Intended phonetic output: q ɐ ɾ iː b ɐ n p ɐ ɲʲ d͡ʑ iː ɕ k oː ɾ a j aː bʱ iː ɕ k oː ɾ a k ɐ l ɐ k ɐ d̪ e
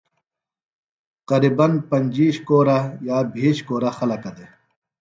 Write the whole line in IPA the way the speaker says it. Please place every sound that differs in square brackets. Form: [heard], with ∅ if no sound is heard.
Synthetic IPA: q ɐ ɾ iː b ɐ n p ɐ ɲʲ d͡ʑ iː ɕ k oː ɾ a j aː bʱ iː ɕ k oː ɾ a [x] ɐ l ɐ k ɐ d̪ e